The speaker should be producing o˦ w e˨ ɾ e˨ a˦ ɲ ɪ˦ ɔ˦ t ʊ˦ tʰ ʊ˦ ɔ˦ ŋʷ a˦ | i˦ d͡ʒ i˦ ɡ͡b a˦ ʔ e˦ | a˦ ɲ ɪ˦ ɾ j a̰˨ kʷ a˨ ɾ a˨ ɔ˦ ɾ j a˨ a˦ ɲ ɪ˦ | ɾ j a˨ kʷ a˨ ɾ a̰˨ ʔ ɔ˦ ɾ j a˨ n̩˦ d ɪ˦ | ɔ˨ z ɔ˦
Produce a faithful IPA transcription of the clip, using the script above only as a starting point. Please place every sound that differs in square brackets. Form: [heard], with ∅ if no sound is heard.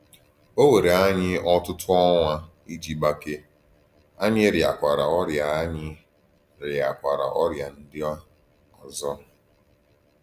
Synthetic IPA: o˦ w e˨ ɾ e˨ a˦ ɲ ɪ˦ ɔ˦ t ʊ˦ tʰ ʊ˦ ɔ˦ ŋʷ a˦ | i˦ d͡ʒ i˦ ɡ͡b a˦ [k] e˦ | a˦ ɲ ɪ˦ ɾ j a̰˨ kʷ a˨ ɾ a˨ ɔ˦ ɾ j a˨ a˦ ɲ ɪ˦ | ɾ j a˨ kʷ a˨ ɾ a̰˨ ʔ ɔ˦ ɾ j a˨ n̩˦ d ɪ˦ | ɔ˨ z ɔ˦